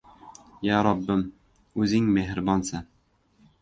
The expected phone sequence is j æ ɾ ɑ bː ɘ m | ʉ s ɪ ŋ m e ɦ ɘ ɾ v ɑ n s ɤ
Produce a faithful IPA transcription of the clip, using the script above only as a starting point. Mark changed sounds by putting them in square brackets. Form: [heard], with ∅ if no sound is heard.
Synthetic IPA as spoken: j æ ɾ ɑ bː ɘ m | ʉ [z] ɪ ŋ m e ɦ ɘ ɾ [b] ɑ n s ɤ